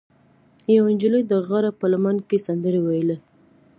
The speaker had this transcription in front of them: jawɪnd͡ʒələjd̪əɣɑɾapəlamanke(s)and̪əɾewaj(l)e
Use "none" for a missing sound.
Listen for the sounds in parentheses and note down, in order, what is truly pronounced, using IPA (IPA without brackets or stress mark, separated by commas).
s, l